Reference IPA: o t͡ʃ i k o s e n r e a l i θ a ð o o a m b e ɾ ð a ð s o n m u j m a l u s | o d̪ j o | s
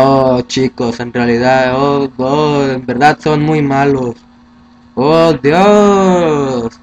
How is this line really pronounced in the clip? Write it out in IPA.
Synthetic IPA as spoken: o t͡ʃ i k o s e n r e a l i ð a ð o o e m b e ɾ ð a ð s o n m u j m a l o s | o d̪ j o | s

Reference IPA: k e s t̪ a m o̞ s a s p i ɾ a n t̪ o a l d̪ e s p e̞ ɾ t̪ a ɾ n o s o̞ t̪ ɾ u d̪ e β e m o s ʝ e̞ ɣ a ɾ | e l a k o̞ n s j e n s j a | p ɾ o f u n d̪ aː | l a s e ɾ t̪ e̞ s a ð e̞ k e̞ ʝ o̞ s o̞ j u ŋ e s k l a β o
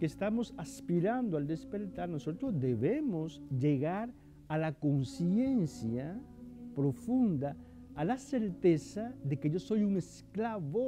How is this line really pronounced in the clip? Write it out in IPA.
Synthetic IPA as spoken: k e s t̪ a m o̞ s a s p i ɾ a n d̪ o a l d̪ e s p e̞ ɾ t̪ a ɾ n o s o̞ t̪ ɾ o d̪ e β e m o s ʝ e̞ ɣ a ɾ | a l a k o̞ n s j e n s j a | p ɾ o f u n d̪ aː | l a s e ɾ t̪ e̞ s a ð e̞ k e̞ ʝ o̞ s o̞ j u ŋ e s k l a β o

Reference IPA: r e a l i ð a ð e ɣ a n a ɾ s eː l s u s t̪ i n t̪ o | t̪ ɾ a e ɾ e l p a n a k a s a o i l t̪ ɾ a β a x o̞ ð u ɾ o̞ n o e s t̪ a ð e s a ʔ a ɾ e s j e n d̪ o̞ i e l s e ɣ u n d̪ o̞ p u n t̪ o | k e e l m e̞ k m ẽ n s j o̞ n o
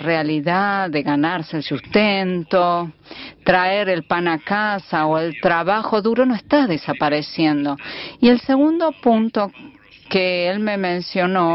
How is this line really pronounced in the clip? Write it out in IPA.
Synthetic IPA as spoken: r e a l i ð a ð e ɣ a n a ɾ s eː l s u s t̪ e n t̪ o | t̪ ɾ a e ɾ e l p a n a k a s a o e l t̪ ɾ a β a x o̞ ð u ɾ o̞ n o e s t̪ a ð e s a p a ɾ e s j e n d̪ o̞ i e l s e ɣ u n d̪ o̞ p u n t̪ o | k e e l m e̞ m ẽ n s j o̞ n o

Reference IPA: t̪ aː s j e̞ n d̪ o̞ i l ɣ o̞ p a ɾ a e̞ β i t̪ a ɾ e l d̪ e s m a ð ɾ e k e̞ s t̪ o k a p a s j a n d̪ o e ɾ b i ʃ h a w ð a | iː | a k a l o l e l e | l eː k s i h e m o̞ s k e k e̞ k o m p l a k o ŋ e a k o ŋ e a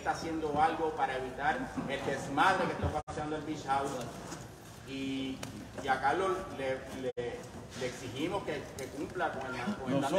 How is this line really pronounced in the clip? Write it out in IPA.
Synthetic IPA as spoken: t̪ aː s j e̞ n d̪ o̞ a l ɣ o̞ p a ɾ a e̞ β i t̪ a ɾ e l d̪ e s m a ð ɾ e k e̞ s t̪ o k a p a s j a n d̪ o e l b i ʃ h a w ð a | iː | a k a l o l e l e | l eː k s i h i m o̞ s k e k e̞ k u m p l a k o ŋ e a k o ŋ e a

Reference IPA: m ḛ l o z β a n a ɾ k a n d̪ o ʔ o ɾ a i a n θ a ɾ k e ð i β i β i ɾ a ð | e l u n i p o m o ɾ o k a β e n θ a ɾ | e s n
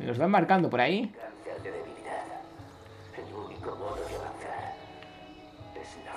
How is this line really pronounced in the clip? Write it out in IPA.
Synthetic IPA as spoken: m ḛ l o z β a m a ɾ k a n d̪ o p o ɾ a i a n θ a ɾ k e ð e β i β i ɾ a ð | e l u n i k o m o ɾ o k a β a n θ a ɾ | e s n

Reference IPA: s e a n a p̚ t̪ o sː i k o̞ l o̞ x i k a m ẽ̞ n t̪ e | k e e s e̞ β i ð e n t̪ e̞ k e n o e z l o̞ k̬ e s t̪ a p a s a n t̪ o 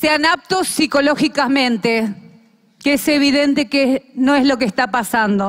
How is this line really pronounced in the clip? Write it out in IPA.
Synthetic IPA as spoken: s e a n a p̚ t̪ o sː i k o̞ l o̞ x i k a m ẽ̞ n t̪ e | k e e s e̞ β i ð e n t̪ e̞ k e n o e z l o̞ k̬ e s t̪ a p a s a n d̪ o

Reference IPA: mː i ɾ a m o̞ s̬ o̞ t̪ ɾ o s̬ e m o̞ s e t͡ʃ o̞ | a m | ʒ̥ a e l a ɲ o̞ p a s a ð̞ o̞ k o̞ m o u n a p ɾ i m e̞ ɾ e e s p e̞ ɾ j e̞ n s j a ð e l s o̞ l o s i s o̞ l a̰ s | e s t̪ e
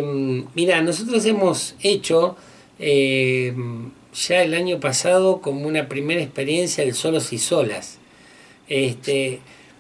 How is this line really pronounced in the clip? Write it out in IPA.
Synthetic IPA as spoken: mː i ɾ a n o̞ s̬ o̞ t̪ ɾ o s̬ e m o̞ s e t͡ʃ o̞ | e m | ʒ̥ a e l a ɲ o̞ p a s a ð̞ o̞ k o̞ m o u n a p ɾ i m e̞ ɾ a e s p e̞ ɾ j e̞ n s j a ð e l s o̞ l o s i s o̞ l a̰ s | e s t̪ e

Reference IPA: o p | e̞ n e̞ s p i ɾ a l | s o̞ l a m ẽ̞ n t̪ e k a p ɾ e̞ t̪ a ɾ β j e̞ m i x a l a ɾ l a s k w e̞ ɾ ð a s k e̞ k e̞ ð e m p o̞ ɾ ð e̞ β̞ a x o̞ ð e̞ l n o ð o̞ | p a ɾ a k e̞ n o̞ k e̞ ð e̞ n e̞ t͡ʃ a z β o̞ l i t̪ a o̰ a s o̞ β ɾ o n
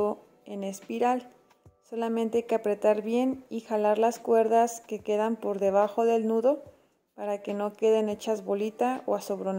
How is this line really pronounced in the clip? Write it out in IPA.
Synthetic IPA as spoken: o | e̞ n e̞ s p i ɾ a l | s o̞ l a m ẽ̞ n t̪ e k a p ɾ e̞ t̪ a ɾ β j e̞ n i x a l a ɾ l a s k w e̞ ɾ ð a s k e̞ k e̞ ð a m p o̞ ɾ ð e̞ β̞ a x o̞ ð e̞ l n u ð o̞ | p a ɾ a k e̞ n o̞ k e̞ ð e̞ n e̞ t͡ʃ a z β o̞ l i t̪ a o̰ a s o̞ β ɾ o n

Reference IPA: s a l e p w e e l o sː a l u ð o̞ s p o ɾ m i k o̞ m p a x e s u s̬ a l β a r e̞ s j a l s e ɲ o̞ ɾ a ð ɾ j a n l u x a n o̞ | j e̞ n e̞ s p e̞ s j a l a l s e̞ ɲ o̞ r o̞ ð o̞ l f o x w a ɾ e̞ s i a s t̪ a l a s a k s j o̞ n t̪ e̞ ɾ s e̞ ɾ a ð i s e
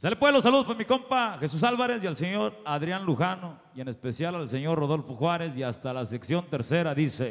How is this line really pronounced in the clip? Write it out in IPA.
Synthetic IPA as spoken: s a l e p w e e l o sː a l u ð o̞ s p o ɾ m i k o̞ m p a x e s u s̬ a l β a ɾ e̞ s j a l s e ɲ o̞ ɾ a ð ɾ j a n l u x a n o̞ | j e̞ n e̞ s p e̞ s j a l a l s e̞ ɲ o̞ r o̞ ð o̞ l f o x w a ɾ e̞ s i a s t̪ a l a s e k s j o̞ n t̪ e̞ ɾ s e̞ ɾ a ð i s e

